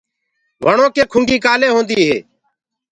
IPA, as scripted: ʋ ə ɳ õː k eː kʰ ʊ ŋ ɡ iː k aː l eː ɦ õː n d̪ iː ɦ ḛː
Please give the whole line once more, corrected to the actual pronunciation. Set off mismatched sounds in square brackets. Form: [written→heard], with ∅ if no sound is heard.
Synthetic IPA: ʋ ə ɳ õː k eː kʰ ʊ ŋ ɡ iː k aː l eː ɦ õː n d̪ iː ɦ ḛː